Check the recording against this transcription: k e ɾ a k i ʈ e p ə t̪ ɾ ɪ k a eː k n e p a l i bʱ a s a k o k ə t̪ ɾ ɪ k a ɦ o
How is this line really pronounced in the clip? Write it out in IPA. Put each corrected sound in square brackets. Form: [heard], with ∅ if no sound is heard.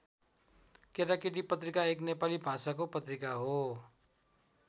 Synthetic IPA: k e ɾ a k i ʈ [i] p ə t̪ ɾ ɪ k a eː k n e p a l i bʱ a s a k o [p] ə t̪ ɾ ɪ k a ɦ o